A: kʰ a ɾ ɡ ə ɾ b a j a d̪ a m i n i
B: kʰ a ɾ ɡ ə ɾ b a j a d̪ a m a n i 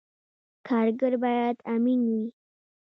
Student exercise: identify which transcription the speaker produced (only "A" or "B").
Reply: A